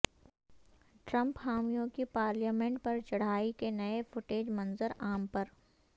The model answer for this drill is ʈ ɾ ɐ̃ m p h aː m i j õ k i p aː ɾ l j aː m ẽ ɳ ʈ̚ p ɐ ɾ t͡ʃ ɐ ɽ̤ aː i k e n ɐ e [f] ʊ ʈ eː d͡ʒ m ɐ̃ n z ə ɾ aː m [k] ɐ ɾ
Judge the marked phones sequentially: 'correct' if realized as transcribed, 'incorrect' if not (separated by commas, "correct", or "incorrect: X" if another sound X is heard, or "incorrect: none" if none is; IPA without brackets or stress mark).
correct, incorrect: p